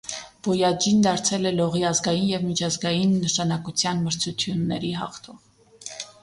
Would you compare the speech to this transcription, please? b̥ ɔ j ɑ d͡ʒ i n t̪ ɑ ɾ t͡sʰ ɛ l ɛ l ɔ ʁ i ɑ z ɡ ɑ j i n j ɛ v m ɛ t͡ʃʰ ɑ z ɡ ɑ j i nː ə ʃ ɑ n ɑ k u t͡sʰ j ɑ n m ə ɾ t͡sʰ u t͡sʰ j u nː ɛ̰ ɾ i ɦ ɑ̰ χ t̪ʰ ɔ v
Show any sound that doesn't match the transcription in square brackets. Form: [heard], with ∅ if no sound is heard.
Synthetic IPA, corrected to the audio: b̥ ɔ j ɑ d͡ʒ i n [d̪] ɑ ɾ t͡sʰ ɛ l ɛ l ɔ ʁ i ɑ z ɡ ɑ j i n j ɛ v m [i] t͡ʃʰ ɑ z ɡ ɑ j i nː ə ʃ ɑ n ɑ k u t͡sʰ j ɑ n m ə ɾ t͡sʰ u t͡sʰ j u nː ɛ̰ ɾ i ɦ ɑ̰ χ t̪ʰ ɔ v